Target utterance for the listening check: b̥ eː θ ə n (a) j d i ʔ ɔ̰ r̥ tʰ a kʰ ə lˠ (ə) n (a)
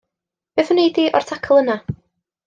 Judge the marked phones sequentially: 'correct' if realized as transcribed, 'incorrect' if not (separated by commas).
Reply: incorrect, correct, correct